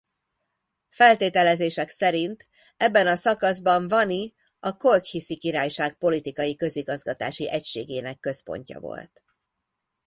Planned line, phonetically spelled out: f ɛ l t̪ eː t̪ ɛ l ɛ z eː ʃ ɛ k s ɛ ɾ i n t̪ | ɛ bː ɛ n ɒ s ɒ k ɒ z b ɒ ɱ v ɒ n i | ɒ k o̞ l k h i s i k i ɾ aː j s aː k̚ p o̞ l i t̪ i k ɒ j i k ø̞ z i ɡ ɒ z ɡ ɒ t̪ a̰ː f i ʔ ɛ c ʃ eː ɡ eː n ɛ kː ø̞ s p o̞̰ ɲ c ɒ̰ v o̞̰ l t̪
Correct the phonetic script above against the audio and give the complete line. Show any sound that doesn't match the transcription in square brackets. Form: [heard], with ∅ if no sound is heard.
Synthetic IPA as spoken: f ɛ l t̪ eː t̪ ɛ l ɛ z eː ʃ ɛ k s ɛ ɾ i n t̪ | ɛ bː ɛ n ɒ s ɒ k ɒ z b ɒ ɱ v ɒ n i | ɒ k o̞ l k h i s i k i ɾ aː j [ʃ] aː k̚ p o̞ l i t̪ i k ɒ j i k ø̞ z i ɡ ɒ z ɡ ɒ t̪ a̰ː [ʃ] i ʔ ɛ c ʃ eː ɡ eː n ɛ kː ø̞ s p o̞̰ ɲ c ɒ̰ v o̞̰ l t̪